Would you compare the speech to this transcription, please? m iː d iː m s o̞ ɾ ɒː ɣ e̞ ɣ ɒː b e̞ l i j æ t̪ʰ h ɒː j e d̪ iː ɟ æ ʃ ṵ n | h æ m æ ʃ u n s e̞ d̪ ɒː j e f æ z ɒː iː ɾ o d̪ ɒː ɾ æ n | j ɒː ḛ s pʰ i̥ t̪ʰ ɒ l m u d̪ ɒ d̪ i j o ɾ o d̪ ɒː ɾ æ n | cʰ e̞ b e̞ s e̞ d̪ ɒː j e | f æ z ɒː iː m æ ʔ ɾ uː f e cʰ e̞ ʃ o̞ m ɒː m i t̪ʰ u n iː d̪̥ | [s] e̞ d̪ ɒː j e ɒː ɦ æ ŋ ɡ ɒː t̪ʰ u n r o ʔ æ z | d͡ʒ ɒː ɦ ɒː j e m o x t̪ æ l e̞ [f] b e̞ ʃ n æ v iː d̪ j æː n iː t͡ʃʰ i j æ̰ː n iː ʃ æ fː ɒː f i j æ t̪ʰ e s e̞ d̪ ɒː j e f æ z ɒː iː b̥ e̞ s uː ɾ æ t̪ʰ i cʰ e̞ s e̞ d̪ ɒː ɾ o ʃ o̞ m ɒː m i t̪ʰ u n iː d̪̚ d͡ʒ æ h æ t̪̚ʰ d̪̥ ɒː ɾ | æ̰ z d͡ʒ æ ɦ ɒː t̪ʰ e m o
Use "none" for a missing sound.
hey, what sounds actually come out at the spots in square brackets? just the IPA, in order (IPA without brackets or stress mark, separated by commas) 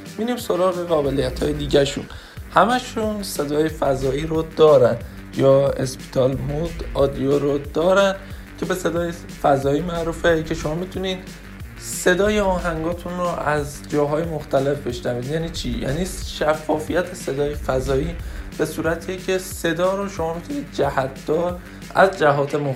s, f